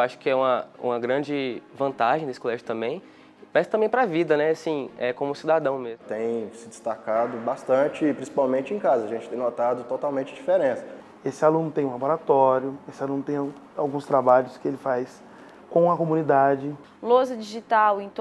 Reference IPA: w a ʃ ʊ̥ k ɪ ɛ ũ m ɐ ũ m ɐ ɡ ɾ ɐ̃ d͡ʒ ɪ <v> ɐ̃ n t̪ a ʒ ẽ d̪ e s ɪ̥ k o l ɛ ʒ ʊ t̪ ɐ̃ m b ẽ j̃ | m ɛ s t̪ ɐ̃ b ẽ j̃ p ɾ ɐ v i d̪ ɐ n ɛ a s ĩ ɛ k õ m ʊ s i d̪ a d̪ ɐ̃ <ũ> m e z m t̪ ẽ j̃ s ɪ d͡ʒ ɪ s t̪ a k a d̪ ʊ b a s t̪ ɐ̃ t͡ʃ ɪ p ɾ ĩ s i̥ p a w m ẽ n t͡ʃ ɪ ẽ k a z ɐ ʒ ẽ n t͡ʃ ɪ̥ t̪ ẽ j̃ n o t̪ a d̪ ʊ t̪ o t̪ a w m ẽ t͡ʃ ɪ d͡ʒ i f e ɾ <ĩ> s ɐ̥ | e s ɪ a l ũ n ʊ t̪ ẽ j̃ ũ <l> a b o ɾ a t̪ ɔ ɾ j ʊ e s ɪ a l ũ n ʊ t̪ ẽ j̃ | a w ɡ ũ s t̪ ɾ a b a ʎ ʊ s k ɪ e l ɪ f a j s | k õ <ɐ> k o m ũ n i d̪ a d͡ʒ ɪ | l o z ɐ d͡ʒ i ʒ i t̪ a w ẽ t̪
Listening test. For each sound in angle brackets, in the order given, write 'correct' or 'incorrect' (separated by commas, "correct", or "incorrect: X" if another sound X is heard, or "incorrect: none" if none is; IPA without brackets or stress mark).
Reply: correct, incorrect: w̃, incorrect: ẽ, correct, correct